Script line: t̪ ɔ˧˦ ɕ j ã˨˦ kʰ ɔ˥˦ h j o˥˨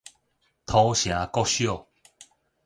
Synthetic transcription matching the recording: t̪ʰ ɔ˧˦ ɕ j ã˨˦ k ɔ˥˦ ɕ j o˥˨